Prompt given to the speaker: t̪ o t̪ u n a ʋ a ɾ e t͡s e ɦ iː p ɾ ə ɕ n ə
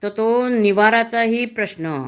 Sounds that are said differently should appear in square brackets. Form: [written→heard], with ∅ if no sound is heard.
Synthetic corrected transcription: t̪ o t̪ [u→o] n [a→i] ʋ a ɾ [e→a] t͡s [e→a] ɦ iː p ɾ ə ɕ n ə